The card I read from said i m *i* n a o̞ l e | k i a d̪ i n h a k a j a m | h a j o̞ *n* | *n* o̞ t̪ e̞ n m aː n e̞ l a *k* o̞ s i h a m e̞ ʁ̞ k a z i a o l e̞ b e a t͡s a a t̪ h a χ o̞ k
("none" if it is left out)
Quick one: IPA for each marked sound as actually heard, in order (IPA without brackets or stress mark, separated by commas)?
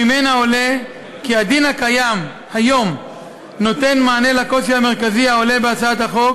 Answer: e, m, n, k